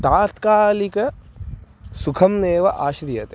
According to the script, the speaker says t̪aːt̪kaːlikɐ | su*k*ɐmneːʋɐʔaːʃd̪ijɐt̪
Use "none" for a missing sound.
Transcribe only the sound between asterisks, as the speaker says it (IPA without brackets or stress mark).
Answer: kʰ